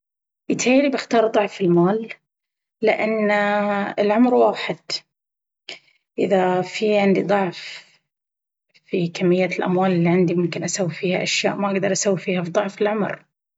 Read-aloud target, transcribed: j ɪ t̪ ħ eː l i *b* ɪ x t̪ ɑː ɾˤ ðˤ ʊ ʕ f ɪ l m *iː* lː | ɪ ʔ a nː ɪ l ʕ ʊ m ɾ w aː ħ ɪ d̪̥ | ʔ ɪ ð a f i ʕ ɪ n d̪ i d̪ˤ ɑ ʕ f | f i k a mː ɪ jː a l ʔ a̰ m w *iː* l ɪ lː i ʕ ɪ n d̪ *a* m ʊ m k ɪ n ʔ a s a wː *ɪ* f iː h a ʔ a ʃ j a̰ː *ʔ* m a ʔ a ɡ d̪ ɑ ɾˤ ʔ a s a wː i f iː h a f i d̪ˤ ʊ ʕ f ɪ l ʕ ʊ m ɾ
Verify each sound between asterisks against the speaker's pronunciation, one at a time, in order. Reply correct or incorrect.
correct, incorrect: aː, incorrect: aː, incorrect: i, incorrect: i, correct

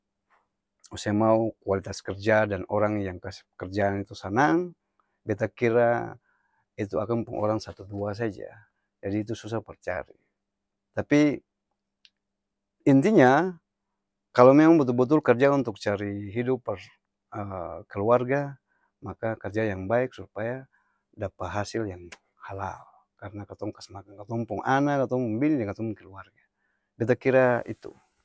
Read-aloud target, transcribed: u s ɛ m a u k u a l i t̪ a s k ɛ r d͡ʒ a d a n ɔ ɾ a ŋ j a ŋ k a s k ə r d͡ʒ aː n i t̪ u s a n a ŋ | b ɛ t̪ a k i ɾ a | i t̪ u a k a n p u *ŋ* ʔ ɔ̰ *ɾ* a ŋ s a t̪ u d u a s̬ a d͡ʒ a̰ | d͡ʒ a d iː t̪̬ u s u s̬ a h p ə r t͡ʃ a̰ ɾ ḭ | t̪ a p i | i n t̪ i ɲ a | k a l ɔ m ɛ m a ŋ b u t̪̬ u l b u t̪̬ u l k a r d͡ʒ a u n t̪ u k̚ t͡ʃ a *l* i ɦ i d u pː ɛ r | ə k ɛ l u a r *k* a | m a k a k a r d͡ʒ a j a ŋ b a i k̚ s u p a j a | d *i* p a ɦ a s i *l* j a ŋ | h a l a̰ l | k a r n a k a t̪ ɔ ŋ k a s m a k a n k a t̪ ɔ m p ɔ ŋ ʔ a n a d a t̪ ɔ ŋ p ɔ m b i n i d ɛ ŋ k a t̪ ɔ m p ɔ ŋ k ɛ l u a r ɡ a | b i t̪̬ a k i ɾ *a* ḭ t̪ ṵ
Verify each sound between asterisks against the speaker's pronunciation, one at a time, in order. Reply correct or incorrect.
correct, correct, incorrect: ɾ, incorrect: ɡ, incorrect: a, correct, correct

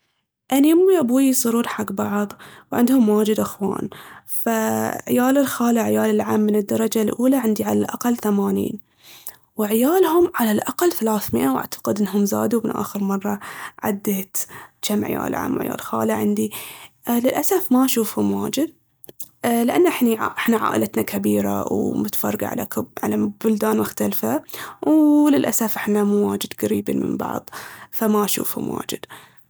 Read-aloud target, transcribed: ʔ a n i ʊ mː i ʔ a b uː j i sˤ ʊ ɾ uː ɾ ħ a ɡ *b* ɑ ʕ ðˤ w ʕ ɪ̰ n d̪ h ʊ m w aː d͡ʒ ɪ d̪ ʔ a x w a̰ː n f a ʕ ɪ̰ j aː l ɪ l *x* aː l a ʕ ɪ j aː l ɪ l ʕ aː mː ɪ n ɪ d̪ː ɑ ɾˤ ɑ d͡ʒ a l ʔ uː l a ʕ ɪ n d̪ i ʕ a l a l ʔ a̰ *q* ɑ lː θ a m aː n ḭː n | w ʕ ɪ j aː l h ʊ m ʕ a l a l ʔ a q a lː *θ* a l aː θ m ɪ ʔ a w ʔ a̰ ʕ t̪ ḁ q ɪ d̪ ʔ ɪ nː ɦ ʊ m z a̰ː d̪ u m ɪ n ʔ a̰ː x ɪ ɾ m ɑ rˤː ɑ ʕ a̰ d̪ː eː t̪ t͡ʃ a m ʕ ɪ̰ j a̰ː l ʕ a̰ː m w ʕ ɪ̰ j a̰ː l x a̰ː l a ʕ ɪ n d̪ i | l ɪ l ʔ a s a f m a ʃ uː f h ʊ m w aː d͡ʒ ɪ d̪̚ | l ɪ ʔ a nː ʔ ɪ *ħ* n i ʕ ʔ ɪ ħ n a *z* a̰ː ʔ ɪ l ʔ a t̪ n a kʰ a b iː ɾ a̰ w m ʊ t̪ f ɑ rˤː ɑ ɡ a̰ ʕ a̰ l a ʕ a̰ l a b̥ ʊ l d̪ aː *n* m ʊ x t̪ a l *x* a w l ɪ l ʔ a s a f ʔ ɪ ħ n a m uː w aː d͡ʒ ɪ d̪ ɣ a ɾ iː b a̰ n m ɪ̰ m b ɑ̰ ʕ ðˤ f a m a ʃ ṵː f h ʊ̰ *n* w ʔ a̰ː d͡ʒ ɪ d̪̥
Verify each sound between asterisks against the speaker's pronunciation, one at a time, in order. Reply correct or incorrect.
correct, correct, correct, correct, correct, incorrect: ʕ, correct, incorrect: f, incorrect: m

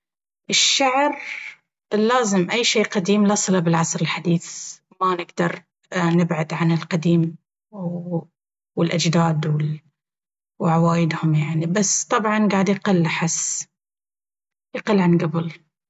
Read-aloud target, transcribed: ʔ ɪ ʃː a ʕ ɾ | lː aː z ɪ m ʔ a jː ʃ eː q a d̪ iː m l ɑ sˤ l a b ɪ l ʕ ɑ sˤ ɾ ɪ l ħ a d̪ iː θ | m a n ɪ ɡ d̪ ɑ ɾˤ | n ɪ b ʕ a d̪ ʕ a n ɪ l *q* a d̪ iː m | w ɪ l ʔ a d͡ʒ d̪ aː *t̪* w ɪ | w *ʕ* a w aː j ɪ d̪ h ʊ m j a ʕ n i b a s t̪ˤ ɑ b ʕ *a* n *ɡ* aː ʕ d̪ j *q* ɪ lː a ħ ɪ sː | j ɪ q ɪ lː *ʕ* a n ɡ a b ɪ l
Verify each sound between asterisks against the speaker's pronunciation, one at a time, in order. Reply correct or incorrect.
correct, incorrect: d̪, correct, incorrect: ɑ, correct, correct, correct

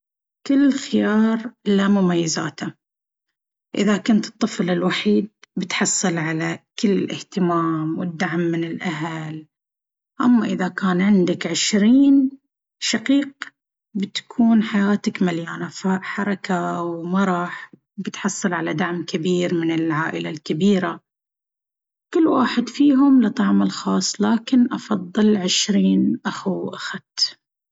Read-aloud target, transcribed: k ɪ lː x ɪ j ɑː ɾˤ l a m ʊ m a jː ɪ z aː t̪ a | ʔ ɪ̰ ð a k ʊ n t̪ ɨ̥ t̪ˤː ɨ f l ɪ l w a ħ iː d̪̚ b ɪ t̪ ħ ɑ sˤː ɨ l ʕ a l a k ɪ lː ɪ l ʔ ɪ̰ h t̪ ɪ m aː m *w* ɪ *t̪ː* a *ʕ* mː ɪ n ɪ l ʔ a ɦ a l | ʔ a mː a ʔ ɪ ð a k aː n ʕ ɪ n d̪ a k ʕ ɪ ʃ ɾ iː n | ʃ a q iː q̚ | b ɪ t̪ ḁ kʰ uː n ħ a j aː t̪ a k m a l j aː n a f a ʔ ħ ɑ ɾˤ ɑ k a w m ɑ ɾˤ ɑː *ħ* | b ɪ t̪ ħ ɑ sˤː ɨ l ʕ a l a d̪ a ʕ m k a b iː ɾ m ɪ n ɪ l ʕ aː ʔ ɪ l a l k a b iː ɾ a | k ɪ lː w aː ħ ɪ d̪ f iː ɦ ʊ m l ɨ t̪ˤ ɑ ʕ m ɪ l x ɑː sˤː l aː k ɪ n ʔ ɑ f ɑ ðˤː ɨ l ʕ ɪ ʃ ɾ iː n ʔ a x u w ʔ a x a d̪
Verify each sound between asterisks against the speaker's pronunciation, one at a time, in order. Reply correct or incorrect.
correct, incorrect: d̪ː, correct, correct

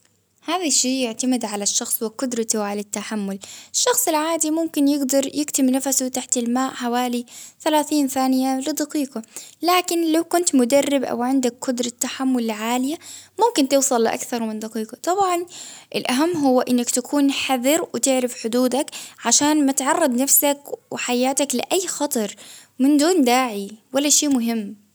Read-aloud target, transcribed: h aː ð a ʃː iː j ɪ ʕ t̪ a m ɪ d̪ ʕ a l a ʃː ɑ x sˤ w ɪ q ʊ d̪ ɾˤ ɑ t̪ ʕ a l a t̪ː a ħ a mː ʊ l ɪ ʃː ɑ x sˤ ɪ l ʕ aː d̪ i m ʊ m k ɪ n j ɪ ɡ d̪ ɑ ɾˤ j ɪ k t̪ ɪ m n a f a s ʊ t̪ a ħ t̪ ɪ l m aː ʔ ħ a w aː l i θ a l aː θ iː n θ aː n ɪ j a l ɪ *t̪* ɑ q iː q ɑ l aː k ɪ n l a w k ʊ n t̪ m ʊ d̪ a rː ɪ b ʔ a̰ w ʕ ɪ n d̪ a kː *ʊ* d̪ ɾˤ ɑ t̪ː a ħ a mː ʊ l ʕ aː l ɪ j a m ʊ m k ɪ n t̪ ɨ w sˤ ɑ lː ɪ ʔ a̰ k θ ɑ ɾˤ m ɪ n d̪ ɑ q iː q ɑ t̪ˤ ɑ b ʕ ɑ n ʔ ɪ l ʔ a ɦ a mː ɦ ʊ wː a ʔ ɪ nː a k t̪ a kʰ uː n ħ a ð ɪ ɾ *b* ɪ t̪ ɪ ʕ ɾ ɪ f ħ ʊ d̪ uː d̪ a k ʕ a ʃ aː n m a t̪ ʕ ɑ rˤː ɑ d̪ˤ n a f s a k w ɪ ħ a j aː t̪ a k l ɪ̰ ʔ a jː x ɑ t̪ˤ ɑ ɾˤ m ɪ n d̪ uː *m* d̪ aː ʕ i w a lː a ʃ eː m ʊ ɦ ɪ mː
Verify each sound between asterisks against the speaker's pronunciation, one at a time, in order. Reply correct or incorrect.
incorrect: d̪, correct, incorrect: w, incorrect: n

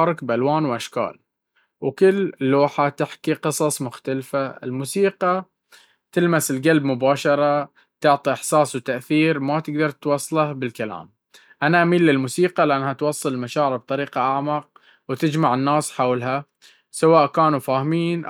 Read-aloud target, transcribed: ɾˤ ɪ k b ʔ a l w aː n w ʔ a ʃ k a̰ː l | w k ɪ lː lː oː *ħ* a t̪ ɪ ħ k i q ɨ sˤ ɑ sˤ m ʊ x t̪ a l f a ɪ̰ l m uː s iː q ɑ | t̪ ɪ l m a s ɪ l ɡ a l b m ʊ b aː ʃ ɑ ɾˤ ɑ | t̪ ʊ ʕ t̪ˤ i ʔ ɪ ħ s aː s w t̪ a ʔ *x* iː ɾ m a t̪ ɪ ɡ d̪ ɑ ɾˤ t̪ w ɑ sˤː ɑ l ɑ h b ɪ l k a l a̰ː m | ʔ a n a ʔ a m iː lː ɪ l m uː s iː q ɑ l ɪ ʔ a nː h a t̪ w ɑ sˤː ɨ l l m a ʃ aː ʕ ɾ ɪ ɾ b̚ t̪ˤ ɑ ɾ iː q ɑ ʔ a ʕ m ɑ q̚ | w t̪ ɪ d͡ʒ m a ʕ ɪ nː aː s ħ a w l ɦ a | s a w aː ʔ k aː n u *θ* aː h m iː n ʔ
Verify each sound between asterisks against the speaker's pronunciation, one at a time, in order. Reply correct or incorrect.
correct, incorrect: θ, incorrect: f

